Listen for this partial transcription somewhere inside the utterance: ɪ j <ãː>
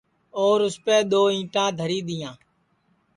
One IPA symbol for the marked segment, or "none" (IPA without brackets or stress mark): ãː